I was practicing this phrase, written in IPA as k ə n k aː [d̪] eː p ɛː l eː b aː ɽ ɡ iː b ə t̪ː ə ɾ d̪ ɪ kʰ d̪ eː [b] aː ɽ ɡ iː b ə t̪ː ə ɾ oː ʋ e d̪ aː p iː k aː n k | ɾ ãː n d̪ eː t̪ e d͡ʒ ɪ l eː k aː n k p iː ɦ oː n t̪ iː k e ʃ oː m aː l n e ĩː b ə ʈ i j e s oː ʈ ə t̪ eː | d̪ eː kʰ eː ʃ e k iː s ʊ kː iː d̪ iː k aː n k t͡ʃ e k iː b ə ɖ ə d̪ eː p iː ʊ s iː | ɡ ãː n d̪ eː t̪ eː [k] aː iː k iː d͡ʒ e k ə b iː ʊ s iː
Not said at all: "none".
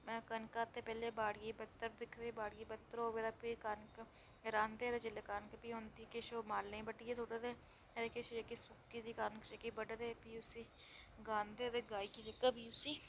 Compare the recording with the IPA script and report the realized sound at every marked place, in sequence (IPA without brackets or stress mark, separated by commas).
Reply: t̪, b, ɡ